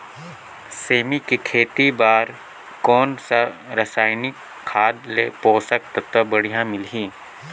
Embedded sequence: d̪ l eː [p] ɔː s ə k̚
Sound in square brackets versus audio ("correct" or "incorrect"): correct